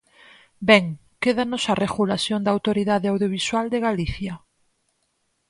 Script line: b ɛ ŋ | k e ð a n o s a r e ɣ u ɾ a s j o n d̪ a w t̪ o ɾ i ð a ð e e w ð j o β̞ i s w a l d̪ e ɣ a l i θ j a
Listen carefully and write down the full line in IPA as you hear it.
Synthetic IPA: b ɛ ŋ | k e ð a n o s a r e ɣ u l a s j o n d̪ a w t̪ o ɾ i ð a ð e a w ð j o β̞ i s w a l d̪ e ɣ a l i θ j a